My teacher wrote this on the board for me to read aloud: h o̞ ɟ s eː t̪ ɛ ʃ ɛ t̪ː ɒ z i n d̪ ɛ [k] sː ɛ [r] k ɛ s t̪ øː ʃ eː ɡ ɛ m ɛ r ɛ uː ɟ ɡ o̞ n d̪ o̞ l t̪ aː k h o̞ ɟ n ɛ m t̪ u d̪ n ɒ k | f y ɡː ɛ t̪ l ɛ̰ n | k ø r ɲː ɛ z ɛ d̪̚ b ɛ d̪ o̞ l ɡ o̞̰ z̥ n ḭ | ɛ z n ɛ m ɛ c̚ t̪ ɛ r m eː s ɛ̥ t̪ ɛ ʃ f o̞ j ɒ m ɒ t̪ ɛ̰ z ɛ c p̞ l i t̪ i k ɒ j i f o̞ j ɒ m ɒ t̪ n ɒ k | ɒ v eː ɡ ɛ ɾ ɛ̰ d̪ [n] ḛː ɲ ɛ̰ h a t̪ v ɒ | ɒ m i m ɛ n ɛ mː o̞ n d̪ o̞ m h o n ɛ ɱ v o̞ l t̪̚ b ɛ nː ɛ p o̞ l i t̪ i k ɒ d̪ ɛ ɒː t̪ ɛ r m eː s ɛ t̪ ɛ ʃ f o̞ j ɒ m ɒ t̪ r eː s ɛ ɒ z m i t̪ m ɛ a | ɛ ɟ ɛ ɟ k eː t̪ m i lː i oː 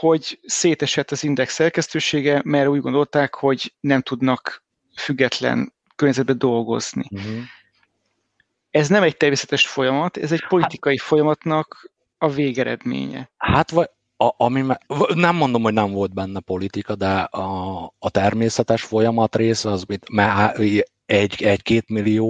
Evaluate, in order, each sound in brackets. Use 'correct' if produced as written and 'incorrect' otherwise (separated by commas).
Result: correct, correct, incorrect